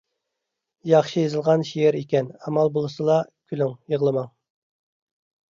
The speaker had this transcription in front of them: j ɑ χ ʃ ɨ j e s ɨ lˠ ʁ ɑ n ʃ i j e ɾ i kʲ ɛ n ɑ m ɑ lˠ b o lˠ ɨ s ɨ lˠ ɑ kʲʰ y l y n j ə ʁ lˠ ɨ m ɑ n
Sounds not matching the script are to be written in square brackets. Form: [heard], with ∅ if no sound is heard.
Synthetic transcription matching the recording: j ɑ χ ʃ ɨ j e [z] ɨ lˠ ʁ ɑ n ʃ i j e ɾ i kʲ ɛ n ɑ m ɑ lˠ b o lˠ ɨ s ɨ lˠ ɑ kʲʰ y l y [ŋ] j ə ʁ lˠ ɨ m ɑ [ŋ]